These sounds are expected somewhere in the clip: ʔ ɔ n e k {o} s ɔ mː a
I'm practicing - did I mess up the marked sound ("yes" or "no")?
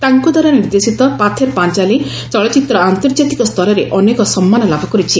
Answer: yes